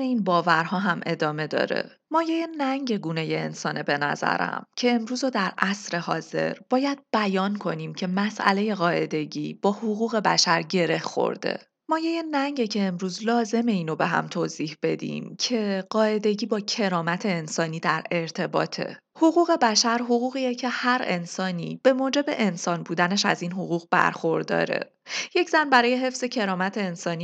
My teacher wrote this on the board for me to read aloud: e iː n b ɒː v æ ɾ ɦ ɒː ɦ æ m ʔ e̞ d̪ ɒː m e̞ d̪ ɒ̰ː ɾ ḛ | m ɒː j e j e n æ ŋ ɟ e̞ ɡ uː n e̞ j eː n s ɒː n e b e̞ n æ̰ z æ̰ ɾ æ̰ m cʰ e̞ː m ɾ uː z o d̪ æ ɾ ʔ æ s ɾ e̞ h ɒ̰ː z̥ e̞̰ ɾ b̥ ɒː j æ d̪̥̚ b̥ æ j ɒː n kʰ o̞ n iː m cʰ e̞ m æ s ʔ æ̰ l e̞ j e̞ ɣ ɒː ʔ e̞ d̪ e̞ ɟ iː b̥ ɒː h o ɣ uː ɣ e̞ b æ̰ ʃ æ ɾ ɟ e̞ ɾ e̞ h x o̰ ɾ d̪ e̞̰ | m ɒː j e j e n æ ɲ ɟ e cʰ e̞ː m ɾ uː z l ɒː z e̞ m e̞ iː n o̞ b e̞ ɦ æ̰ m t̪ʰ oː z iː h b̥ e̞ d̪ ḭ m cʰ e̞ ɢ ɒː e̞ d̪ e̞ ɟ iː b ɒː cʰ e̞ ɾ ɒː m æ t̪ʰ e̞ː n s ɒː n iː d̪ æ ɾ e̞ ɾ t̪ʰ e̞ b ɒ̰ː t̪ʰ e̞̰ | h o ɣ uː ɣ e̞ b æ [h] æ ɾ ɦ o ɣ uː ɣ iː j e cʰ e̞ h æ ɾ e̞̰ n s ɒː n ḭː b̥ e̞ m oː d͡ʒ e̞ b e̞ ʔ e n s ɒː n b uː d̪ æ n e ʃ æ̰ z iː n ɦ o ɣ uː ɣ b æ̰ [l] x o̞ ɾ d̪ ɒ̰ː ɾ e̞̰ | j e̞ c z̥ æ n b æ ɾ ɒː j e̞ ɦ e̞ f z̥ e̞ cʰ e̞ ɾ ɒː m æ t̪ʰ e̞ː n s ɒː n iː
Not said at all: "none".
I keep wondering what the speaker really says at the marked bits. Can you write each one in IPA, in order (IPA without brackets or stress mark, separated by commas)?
ʃ, ɾ